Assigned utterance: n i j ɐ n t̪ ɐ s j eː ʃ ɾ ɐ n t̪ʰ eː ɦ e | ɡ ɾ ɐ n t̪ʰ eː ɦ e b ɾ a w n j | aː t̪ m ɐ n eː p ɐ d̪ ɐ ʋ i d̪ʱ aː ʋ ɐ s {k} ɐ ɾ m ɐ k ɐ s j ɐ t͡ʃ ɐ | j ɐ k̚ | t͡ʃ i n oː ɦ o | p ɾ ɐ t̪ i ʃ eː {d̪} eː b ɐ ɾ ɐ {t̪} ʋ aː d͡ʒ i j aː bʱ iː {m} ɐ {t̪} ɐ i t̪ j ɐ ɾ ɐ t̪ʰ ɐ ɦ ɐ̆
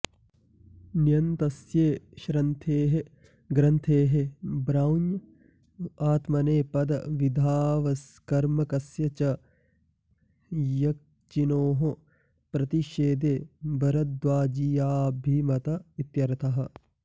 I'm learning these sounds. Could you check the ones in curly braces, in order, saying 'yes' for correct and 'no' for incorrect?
yes, yes, no, yes, yes

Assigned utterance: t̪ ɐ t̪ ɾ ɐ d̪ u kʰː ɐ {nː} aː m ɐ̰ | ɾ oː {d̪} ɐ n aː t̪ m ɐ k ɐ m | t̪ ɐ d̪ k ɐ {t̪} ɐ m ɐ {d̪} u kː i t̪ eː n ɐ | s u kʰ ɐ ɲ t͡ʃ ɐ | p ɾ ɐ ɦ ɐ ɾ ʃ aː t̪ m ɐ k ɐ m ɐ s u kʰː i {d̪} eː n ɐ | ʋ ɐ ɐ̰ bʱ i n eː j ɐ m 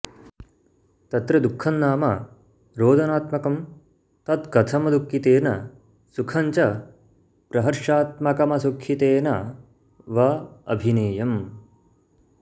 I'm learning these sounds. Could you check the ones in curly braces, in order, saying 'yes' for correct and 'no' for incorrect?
yes, yes, no, yes, no

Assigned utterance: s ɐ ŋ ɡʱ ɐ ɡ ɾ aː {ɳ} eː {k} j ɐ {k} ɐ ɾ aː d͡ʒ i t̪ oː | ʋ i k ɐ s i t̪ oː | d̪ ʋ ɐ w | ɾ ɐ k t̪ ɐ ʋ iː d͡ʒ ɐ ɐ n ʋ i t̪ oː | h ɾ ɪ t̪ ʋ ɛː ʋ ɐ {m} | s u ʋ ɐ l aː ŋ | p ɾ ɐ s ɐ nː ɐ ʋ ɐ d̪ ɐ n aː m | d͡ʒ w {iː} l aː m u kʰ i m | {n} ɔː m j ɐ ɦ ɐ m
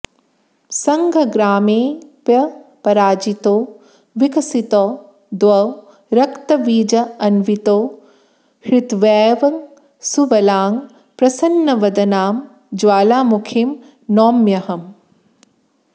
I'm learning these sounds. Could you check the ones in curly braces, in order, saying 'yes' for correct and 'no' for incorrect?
no, no, no, no, no, yes

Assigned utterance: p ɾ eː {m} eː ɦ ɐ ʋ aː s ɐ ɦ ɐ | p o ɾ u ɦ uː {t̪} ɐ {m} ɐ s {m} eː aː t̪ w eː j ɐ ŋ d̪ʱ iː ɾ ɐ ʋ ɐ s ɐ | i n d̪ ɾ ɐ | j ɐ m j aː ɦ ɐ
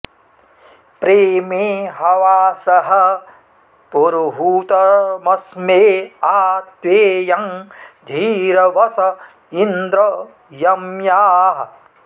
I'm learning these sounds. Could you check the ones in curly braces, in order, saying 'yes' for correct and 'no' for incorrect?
yes, yes, yes, yes

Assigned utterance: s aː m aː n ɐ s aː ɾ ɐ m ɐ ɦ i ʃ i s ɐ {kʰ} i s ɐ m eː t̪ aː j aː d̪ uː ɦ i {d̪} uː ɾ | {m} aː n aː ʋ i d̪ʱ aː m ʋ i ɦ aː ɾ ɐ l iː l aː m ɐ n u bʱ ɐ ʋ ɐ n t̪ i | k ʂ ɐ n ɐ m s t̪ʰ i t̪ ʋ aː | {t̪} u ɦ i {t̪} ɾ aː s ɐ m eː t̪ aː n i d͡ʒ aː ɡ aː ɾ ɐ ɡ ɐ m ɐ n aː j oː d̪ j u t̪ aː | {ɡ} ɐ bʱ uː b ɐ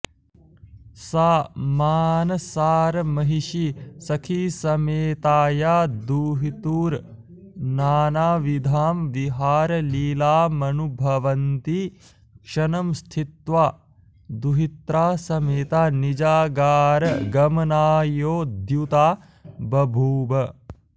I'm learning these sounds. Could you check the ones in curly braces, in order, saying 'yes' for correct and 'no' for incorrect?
yes, no, no, no, yes, no

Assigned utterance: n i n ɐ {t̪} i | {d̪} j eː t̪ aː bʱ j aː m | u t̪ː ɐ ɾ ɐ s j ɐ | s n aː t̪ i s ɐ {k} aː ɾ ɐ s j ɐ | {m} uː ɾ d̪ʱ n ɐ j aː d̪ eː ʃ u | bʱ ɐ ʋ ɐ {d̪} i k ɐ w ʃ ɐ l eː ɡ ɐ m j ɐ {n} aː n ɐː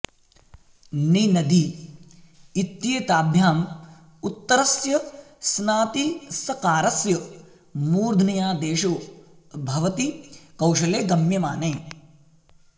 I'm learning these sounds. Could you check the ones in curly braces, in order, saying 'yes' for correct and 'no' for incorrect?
no, no, yes, yes, no, no

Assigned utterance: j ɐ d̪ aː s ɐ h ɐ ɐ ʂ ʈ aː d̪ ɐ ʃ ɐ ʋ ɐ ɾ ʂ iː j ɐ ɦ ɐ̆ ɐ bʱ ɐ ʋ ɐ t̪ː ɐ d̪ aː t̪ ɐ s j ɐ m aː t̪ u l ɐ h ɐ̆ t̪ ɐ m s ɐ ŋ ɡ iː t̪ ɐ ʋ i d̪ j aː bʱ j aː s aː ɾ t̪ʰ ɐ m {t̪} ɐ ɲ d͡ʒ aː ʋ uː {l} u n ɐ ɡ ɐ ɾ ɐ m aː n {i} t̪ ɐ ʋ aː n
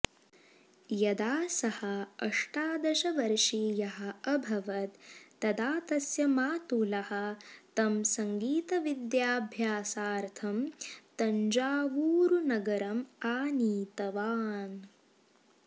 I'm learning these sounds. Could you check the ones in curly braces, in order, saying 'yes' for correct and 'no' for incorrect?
yes, no, no

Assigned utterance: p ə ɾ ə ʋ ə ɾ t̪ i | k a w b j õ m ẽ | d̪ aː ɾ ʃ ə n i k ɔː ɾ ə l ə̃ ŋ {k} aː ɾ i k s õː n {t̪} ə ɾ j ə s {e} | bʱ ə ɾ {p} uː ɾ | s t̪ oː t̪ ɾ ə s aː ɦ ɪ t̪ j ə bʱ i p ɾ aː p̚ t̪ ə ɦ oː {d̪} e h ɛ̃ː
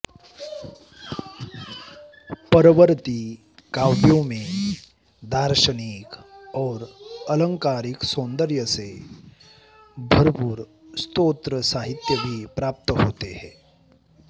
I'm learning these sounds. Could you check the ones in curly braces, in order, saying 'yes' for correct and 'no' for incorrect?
yes, no, yes, yes, no

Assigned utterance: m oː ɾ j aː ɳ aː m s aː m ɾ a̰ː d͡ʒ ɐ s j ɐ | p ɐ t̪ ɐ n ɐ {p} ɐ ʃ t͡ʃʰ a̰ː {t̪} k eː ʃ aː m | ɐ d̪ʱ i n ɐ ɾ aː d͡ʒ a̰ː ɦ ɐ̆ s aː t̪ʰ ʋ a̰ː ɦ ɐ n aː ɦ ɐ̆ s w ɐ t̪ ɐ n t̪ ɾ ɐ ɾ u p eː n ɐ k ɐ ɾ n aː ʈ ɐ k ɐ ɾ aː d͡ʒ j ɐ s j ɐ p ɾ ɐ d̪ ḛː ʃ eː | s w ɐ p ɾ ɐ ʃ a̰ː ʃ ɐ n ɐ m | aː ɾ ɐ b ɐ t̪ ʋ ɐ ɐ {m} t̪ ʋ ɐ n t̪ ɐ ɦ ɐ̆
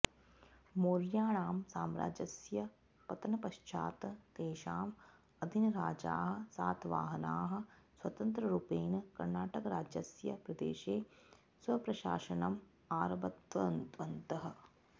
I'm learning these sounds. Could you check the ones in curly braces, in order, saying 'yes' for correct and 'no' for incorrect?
yes, yes, no

